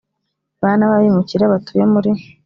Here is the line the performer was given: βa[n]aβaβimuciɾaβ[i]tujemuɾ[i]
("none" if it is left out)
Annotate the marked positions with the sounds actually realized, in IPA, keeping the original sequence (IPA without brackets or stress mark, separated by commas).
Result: n, a, i